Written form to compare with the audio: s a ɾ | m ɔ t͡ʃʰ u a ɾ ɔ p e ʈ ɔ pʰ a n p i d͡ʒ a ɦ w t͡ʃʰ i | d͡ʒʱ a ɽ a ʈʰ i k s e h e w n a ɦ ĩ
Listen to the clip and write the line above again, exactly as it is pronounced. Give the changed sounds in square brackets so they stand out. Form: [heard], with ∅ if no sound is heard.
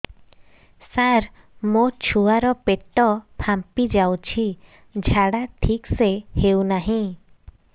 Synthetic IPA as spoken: s a ɾ | m [o] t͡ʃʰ u a ɾ ɔ p e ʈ ɔ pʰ a [m] p i d͡ʒ a [∅] w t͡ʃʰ i | d͡ʒʱ a ɽ a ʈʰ i k s e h e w n a ɦ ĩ

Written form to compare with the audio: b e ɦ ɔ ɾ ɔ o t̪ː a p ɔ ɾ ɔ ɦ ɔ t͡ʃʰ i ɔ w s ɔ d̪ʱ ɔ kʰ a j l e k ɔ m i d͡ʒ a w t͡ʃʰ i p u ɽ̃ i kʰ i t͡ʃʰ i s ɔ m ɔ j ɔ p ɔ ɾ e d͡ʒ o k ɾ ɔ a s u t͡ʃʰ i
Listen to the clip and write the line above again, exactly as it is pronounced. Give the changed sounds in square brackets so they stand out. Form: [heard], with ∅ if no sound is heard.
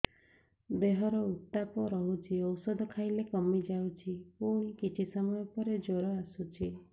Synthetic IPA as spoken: b e ɦ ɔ ɾ ɔ [u] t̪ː a p ɔ ɾ ɔ ɦ [u] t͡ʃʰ i ɔ w s ɔ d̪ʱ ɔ kʰ a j l e k ɔ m i d͡ʒ a w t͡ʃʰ i p u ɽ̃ i [k] i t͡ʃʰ i s ɔ m ɔ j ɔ p ɔ ɾ e d͡ʒ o [∅] ɾ ɔ a s u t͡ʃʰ i

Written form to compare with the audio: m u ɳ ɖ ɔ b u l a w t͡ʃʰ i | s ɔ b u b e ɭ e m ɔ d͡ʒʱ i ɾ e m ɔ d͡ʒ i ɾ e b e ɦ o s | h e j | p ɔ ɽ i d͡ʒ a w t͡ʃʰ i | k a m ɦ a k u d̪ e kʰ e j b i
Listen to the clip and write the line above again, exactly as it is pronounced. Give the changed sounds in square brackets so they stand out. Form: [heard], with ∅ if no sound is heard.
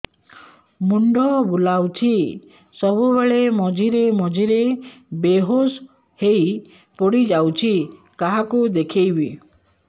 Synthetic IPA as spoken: m u ɳ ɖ ɔ b u l a w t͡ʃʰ i | s ɔ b u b e ɭ e m ɔ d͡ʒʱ i ɾ e m ɔ d͡ʒ i ɾ e b e ɦ o s | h e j | p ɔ ɽ i d͡ʒ a w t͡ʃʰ i | k a [∅] ɦ a k u d̪ e kʰ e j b i

